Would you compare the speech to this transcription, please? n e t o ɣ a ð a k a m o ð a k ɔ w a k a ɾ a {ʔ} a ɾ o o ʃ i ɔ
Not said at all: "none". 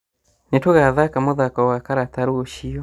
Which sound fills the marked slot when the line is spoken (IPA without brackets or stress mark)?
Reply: t